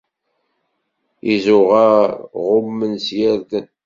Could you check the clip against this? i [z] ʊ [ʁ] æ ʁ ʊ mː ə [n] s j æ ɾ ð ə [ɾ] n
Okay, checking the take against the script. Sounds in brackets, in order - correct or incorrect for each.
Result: correct, correct, correct, incorrect: none

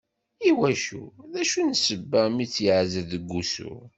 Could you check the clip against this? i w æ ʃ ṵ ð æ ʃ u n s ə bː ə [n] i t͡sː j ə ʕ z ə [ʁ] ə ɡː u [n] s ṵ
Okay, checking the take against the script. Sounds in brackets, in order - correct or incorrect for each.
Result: incorrect: m, incorrect: ð, incorrect: none

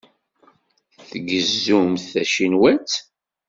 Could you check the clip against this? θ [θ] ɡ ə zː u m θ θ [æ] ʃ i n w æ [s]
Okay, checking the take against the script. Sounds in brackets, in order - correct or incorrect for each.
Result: correct, correct, incorrect: t͡s

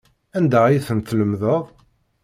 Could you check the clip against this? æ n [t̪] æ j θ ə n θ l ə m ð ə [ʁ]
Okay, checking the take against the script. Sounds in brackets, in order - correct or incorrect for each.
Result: incorrect: d̪, correct

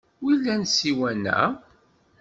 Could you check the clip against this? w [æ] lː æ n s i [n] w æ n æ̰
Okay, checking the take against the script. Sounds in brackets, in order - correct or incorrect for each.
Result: incorrect: i, incorrect: none

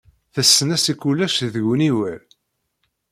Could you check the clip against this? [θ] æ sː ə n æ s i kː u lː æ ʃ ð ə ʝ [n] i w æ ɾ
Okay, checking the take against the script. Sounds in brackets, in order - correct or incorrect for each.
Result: correct, correct

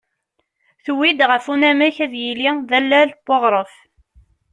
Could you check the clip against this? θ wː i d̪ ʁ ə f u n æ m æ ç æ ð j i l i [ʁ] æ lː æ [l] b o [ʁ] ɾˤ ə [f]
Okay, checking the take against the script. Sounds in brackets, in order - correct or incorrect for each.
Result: incorrect: ð, correct, correct, correct

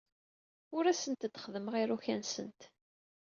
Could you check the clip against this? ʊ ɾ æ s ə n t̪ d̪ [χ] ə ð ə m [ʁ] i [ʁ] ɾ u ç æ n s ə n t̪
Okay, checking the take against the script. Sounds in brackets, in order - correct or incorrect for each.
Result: correct, correct, incorrect: none

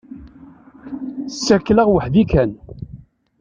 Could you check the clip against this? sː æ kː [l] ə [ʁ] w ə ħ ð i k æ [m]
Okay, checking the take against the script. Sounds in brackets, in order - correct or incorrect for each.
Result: correct, correct, incorrect: n

